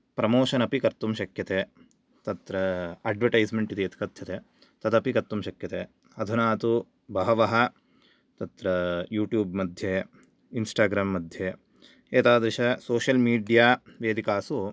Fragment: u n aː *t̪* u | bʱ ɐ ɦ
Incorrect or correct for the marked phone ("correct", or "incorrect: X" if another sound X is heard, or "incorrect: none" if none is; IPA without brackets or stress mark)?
correct